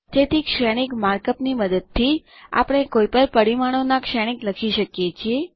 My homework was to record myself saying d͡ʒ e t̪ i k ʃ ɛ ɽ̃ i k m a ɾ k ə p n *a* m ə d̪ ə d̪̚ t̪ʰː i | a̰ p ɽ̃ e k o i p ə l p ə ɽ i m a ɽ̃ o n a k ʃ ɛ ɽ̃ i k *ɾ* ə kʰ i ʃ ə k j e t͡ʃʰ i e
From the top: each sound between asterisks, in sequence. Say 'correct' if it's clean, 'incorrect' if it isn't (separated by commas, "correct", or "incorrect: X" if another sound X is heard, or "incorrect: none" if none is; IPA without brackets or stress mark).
incorrect: i, incorrect: l